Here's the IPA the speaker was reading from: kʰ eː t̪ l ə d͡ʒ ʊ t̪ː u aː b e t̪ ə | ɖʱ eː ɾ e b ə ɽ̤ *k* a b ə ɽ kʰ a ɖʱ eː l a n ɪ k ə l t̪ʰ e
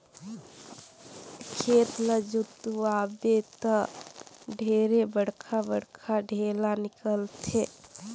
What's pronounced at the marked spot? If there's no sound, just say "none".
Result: kʰ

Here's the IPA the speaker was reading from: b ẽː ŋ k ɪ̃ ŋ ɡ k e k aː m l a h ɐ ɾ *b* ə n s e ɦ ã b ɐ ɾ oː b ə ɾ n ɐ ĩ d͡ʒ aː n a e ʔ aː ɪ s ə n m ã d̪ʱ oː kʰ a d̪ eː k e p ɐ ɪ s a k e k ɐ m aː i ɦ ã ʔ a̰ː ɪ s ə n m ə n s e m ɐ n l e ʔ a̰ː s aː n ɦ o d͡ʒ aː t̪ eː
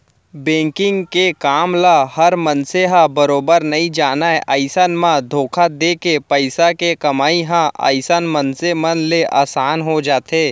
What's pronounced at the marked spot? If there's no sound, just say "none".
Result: m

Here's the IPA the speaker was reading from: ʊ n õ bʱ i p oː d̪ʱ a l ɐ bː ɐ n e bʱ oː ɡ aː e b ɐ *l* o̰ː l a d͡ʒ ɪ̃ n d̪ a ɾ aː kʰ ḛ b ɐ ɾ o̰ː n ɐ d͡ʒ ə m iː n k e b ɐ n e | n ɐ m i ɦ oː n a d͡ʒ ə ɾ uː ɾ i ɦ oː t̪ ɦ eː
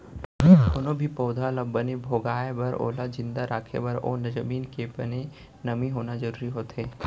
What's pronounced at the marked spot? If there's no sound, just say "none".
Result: ɾ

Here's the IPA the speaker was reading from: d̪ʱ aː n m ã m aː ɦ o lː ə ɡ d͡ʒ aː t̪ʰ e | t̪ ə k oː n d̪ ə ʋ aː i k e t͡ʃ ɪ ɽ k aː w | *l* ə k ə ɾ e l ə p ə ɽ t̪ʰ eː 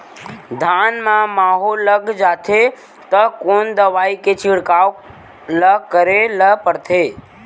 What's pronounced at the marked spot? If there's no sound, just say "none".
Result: l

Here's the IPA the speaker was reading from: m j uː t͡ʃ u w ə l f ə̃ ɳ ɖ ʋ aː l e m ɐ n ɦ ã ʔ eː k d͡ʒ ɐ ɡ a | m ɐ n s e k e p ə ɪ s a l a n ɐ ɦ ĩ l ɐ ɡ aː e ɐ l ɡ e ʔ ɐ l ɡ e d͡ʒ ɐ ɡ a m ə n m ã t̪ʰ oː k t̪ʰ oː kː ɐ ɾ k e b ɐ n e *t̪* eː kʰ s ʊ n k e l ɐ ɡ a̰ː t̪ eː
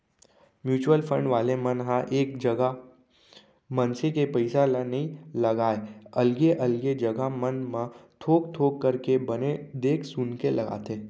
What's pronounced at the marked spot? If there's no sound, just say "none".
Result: d̪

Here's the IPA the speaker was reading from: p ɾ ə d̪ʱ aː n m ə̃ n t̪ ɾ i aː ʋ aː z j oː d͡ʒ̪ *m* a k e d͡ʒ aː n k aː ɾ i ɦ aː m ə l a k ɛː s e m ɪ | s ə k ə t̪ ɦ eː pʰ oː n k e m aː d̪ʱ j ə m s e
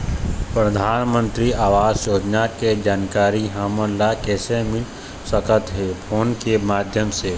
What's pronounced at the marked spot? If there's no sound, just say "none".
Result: n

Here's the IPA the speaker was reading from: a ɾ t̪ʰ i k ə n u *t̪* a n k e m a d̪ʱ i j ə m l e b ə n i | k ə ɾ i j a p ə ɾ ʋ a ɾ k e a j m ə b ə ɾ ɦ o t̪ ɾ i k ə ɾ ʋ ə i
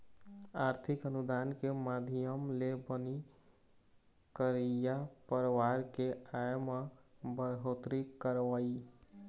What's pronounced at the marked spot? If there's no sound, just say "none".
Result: d̪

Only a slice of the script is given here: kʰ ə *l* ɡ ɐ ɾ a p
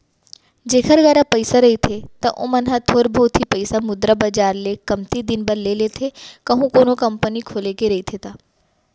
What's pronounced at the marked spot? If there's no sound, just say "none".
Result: ɾ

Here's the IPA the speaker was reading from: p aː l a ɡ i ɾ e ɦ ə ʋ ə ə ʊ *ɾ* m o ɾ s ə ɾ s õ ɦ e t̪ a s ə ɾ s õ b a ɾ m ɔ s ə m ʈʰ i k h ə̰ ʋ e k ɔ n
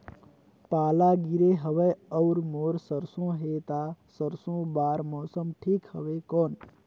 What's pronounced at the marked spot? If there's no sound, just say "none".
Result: ɾ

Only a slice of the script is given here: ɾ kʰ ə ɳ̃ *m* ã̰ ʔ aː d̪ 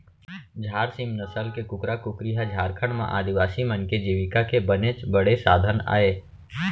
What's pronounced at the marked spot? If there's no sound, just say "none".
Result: m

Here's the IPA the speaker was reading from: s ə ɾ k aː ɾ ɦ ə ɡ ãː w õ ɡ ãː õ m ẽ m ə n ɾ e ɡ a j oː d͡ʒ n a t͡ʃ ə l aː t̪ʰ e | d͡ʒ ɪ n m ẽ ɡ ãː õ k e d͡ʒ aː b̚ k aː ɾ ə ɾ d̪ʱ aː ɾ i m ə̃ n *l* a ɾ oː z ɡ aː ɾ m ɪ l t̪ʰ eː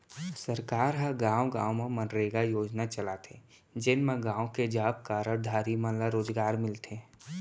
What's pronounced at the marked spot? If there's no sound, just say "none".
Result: l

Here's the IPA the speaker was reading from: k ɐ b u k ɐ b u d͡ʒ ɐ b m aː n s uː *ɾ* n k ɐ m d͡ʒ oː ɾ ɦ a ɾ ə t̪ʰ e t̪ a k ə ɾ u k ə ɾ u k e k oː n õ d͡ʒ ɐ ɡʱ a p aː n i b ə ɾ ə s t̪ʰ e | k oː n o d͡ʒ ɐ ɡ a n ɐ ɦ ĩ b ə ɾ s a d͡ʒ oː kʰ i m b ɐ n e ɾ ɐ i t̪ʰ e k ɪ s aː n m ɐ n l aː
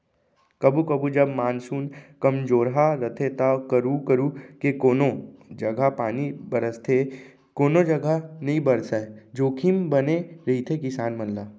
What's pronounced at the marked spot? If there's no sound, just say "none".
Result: none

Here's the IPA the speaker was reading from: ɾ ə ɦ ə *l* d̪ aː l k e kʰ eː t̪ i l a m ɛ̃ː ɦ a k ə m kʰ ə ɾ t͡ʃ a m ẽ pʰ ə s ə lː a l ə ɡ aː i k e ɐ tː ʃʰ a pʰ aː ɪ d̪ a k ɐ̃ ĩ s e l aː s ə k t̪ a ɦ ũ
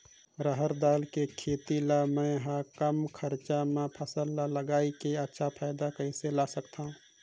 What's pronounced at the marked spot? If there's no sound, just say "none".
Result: ɾ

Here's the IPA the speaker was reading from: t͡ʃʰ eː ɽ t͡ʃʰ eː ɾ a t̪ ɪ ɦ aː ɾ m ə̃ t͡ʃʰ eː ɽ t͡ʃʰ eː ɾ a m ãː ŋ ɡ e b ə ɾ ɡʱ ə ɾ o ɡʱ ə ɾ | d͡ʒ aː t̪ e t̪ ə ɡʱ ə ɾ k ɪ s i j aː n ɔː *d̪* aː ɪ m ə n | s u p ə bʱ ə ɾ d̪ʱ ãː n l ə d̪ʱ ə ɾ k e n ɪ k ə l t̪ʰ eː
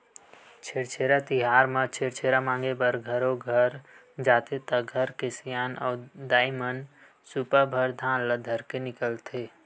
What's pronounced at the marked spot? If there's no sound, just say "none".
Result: d̪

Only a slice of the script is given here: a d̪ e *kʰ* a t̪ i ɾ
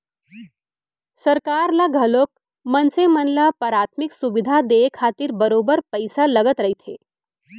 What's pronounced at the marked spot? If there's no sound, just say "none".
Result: kʰ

